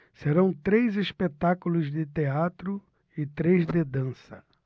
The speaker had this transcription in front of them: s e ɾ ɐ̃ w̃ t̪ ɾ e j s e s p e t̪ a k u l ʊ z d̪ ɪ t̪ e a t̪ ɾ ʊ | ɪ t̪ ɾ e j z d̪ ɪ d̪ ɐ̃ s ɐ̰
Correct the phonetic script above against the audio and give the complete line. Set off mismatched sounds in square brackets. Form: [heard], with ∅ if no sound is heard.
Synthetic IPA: s e ɾ ɐ̃ w̃ t̪ ɾ e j [z] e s p e t̪ a k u l ʊ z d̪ ɪ t̪ e a t̪ ɾ ʊ | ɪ t̪ ɾ e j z d̪ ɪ d̪ ɐ̃ s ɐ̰